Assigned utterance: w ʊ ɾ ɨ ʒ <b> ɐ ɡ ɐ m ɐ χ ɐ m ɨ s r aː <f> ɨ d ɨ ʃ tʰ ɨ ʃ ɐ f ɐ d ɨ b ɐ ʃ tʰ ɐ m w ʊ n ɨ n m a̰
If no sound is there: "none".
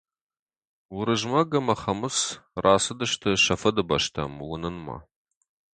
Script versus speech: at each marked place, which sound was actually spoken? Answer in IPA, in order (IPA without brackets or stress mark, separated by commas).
m, s